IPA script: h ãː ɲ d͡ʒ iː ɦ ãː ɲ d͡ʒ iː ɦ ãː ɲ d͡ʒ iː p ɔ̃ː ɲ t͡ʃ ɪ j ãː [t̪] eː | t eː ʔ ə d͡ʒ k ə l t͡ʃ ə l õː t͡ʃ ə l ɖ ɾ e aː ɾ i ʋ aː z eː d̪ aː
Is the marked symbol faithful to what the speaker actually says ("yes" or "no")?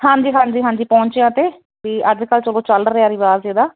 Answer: yes